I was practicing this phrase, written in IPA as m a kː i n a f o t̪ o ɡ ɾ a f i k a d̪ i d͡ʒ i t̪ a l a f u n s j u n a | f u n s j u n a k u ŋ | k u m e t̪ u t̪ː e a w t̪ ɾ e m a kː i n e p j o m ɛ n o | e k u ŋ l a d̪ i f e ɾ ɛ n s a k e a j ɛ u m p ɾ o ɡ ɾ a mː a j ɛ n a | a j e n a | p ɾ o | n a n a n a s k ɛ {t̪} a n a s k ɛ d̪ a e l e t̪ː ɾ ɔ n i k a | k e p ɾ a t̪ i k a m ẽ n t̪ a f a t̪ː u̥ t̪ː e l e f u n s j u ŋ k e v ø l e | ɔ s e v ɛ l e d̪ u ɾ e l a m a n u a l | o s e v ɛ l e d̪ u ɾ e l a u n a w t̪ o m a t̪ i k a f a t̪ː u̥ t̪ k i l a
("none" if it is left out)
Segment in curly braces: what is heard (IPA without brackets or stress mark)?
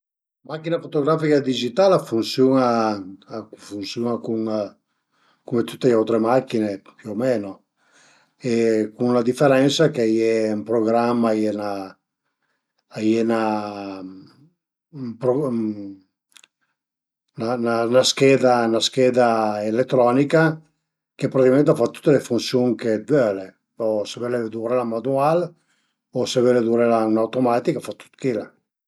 d̪